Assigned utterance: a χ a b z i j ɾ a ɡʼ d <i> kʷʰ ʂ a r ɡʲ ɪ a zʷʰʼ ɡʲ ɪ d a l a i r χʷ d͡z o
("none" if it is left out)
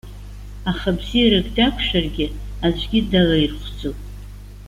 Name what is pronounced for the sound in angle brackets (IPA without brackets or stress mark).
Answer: a